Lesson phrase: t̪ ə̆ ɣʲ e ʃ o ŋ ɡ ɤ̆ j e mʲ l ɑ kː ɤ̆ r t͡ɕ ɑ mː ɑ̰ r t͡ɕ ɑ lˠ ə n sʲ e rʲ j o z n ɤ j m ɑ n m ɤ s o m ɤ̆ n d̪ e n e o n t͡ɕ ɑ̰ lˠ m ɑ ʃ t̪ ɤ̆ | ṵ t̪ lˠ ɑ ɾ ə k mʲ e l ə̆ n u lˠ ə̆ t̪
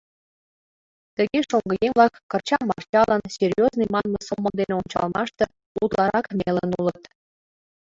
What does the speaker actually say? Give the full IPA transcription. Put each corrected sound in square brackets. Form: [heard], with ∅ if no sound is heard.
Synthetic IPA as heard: t̪ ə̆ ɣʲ e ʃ o ŋ ɡ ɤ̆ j e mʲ l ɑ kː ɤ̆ r t͡ɕ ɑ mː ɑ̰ r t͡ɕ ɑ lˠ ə n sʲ e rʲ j o z n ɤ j m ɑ n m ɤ s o m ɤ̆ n d̪ e n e o n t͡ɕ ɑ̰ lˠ m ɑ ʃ t̪ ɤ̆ | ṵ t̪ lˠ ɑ ɾ [ɑ] k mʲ e l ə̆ n u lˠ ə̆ t̪